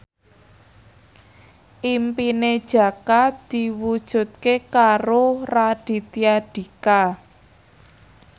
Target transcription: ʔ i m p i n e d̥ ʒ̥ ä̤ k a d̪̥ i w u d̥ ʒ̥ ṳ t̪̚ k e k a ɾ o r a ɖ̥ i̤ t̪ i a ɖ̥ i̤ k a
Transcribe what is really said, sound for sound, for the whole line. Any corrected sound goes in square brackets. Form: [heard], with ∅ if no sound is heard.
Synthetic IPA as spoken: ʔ i m p i n e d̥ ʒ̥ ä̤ k a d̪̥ i w u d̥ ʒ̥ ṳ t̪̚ k e k a ɾ o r a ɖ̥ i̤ t̪ i a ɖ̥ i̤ k a